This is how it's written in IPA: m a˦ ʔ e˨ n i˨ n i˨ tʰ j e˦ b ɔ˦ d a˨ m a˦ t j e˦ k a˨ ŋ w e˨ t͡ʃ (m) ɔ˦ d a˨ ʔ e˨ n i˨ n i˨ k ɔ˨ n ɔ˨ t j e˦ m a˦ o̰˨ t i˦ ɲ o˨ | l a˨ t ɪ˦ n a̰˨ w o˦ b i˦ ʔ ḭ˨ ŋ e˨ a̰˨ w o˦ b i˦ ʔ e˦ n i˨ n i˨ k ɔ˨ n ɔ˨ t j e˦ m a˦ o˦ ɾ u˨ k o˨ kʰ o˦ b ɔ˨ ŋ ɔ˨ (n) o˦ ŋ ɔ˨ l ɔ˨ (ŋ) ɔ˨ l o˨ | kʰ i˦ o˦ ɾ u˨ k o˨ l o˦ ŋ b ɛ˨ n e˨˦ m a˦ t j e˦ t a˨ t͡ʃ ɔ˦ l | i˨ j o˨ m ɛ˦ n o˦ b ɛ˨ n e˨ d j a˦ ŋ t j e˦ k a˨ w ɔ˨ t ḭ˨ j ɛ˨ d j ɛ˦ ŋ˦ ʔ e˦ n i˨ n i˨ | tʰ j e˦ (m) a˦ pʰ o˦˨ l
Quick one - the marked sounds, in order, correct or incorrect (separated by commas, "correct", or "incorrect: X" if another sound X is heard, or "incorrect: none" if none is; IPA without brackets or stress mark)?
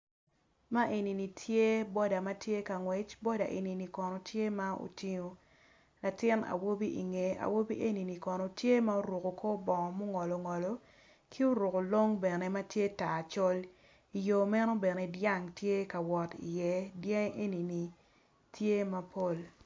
incorrect: b, incorrect: m, correct, correct